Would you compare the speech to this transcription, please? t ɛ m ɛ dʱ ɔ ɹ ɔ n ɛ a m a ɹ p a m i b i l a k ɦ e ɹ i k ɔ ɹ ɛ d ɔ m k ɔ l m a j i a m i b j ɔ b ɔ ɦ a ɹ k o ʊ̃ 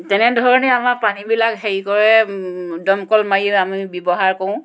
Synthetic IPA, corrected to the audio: t ɛ n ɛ dʱ ɔ ɹ ɔ n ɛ a m a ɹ p a n i b i l a k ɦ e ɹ i k ɔ ɹ ɛ d ɔ m k ɔ l m a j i a m i b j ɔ b ɔ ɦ a ɹ k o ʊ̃

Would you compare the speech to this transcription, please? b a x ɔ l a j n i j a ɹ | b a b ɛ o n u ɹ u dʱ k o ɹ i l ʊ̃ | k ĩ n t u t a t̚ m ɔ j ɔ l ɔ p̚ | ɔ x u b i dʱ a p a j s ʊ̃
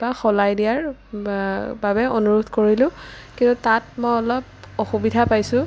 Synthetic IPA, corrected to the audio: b a x ɔ l a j d i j a ɹ | b a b ɛ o n u ɹ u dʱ k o ɹ i l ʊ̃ | k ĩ n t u t a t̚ m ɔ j ɔ l ɔ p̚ | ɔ x u b i dʱ a p a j s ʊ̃

